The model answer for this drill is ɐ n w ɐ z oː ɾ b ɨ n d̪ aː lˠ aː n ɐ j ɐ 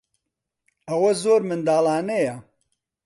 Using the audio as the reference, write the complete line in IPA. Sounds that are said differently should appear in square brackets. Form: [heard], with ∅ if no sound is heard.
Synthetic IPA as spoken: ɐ [∅] w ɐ z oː ɾ [m] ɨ n d̪ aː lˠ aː n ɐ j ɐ